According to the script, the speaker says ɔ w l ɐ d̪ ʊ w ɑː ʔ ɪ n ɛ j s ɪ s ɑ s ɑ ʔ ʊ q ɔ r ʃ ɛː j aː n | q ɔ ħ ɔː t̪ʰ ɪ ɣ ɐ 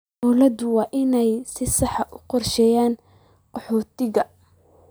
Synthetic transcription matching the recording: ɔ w l ɐ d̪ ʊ w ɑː ʔ ɪ n ɛ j s ɪ s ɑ ħ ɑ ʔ ʊ q ɔ r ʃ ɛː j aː n | q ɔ ħ ɔː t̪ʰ ɪ ɣ ɐ